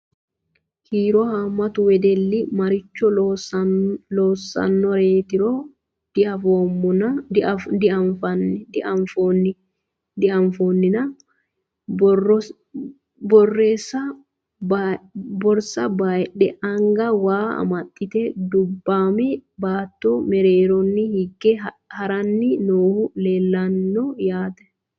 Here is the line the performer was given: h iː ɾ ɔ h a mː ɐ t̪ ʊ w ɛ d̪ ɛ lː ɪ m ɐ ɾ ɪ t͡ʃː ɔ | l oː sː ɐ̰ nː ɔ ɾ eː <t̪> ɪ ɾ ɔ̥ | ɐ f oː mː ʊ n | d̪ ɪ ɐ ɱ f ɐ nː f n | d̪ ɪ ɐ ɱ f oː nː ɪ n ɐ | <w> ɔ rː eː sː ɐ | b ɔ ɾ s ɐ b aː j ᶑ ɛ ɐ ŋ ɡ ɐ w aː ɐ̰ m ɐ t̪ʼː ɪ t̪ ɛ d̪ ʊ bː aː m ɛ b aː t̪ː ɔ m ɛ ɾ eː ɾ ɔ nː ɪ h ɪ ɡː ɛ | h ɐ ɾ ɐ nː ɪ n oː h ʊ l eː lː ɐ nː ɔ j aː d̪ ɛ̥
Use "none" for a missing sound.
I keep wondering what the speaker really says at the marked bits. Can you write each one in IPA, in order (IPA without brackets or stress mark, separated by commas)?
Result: t̪, b